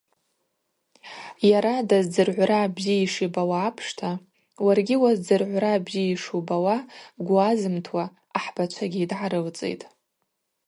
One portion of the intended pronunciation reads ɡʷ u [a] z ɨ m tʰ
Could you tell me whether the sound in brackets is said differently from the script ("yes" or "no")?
no